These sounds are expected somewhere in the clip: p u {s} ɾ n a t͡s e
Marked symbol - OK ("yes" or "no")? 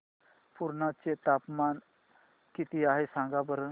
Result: no